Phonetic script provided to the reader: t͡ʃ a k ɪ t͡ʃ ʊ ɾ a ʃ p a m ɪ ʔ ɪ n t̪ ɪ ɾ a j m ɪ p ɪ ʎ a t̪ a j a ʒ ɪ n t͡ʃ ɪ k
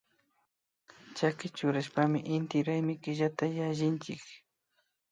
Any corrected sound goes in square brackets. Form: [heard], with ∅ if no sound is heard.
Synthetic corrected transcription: t͡ʃ a k ɪ t͡ʃ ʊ ɾ a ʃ p a m ɪ ʔ ɪ n t̪ ɪ ɾ a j m ɪ [k] ɪ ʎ a t̪ a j a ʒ ɪ n t͡ʃ ɪ k

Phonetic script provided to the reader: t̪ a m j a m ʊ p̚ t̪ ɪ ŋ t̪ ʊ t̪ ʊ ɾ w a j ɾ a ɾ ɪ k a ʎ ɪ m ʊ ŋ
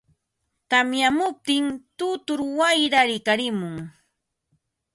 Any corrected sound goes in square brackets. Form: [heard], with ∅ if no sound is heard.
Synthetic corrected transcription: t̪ a m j a m ʊ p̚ t̪ ɪ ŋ t̪ ʊ t̪ ʊ ɾ w a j ɾ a ɾ ɪ k a [ɾ] ɪ m ʊ ŋ

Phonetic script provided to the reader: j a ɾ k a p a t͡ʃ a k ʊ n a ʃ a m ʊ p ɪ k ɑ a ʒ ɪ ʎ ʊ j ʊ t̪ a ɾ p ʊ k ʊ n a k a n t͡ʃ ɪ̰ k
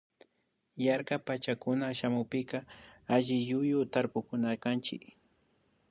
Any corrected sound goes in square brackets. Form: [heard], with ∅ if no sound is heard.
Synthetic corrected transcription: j a ɾ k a p a t͡ʃ a k ʊ n a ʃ a m ʊ p ɪ k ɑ a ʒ ɪ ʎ ʊ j ʊ t̪ a ɾ p ʊ k ʊ n a k a n t͡ʃ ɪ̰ k

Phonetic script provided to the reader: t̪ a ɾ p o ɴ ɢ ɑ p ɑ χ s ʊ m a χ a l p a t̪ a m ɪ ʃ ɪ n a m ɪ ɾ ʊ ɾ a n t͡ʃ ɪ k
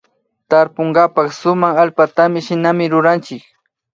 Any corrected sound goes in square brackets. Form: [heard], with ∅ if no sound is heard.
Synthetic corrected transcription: t̪ a ɾ p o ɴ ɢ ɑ p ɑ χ s ʊ m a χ a l p a t̪ a m ɪ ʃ ɪ n a m ɪ ɾ ʊ ɾ a n t͡ʃ ɪ k

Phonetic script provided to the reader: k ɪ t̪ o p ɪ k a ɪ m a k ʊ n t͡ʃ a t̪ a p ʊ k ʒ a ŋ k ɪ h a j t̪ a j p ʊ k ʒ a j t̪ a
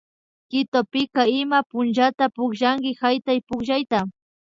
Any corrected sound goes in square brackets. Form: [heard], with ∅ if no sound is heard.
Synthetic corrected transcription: k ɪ t̪ o p ɪ k a ɪ m a [p] ʊ n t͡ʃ a t̪ a p ʊ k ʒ a ŋ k ɪ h a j t̪ a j p ʊ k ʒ a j t̪ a

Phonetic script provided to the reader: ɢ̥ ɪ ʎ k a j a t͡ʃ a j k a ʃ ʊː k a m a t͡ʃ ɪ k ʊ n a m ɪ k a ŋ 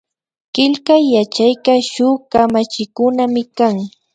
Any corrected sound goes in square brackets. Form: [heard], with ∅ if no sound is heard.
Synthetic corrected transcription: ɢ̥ ɪ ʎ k a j a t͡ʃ a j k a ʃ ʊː k a m a t͡ʃ ɪ k ʊ n a m ɪ k a ŋ

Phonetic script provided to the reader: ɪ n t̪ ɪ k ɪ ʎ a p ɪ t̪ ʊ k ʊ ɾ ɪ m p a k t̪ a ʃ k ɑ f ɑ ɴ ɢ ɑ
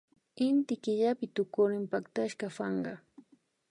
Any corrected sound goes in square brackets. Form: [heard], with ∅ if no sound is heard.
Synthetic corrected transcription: ɪ n t̪ ɪ k ɪ ʎ a p ɪ t̪ ʊ k ʊ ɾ ɪ m p a k t̪ a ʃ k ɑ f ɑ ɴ ɢ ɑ

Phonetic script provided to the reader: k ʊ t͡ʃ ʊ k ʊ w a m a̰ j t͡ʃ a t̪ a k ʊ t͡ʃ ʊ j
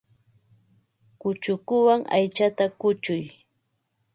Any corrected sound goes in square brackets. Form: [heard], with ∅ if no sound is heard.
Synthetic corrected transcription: k ʊ t͡ʃ ʊ k ʊ w a [ŋ] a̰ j t͡ʃ a t̪ a k ʊ t͡ʃ ʊ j

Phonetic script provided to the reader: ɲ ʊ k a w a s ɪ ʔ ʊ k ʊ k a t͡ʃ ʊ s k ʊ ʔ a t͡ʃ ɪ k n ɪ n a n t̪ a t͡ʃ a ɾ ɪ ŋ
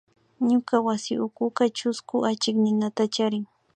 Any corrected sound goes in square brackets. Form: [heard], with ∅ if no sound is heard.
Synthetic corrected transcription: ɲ ʊ k a w a s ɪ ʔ ʊ k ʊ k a t͡ʃ ʊ s k ʊ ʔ a t͡ʃ ɪ k n ɪ n a [∅] t̪ a t͡ʃ a ɾ ɪ ŋ

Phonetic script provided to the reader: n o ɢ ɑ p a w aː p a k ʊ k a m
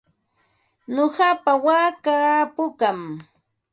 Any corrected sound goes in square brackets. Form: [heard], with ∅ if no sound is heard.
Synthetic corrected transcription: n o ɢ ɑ p a w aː [k] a [p] ʊ k a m

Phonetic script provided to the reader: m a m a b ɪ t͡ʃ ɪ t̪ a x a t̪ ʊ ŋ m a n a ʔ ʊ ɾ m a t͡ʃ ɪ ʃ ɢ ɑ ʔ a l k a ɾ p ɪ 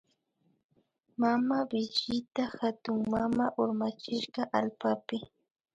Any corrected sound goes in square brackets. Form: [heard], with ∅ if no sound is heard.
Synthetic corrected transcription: m a m a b ɪ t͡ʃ ɪ t̪ a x a t̪ ʊ ŋ m a [m] a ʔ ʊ ɾ m a t͡ʃ ɪ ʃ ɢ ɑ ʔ a l [p] a [∅] p ɪ

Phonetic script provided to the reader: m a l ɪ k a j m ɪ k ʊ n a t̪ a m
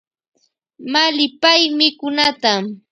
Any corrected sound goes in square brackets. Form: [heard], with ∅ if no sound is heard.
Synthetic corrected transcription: m a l ɪ [p] a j m ɪ k ʊ n a t̪ a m

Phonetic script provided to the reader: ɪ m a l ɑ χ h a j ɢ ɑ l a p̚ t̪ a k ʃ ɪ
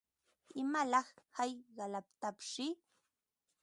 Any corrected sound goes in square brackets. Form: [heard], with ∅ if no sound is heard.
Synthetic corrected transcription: ɪ m a l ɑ χ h a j ɢ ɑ l a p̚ t̪ a [p] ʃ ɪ

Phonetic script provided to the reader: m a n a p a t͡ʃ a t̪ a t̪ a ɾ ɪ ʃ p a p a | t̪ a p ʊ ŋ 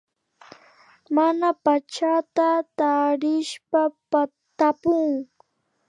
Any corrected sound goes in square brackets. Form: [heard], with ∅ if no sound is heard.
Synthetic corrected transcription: m a n a p a t͡ʃ a t̪ a t̪ a ɾ ɪ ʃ p a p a | t̪ a p ʊ ŋ

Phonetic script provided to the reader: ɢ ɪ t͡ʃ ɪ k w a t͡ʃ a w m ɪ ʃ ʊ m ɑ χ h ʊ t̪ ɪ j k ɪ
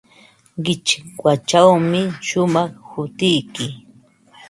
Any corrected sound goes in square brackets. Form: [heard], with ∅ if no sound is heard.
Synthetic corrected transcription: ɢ ɪ t͡ʃ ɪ k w a t͡ʃ a w m ɪ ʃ ʊ m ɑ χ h ʊ t̪ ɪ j k ɪ

